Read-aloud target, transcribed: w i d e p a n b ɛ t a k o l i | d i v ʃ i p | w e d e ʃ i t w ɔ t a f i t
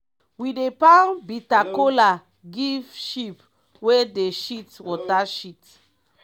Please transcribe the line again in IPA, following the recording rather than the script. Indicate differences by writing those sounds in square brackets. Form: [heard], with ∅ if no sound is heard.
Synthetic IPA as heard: w i d e p a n b [i] t a k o l [a] | [ɡ] i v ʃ i p | w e d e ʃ i t w ɔ t a [ʃ] i t